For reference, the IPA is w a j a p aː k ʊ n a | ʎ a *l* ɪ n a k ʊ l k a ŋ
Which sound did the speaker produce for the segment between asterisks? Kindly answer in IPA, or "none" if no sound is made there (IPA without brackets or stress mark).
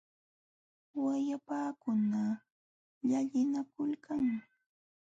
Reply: ʎ